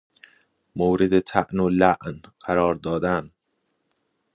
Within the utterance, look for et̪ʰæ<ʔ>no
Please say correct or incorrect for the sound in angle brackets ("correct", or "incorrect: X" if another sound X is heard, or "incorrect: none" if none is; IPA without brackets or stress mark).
correct